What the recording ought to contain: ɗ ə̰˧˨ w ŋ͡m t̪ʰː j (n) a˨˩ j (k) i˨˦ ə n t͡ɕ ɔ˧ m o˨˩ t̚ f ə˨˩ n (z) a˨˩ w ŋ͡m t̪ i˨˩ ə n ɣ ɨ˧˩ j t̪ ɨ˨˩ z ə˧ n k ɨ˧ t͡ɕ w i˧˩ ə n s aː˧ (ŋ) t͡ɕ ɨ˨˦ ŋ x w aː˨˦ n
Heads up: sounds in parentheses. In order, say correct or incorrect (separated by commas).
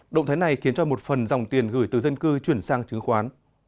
correct, incorrect, correct, correct